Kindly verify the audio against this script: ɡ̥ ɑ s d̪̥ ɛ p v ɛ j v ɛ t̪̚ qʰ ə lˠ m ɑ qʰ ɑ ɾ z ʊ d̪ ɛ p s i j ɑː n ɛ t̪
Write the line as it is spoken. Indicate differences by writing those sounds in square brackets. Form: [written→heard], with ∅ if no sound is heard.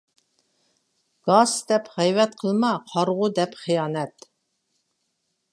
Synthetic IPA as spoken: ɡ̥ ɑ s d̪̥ ɛ p [v→ʁ] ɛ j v ɛ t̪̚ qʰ ə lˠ m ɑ qʰ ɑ ɾ [z→ʁ] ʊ d̪ ɛ p [s→χ] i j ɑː n ɛ t̪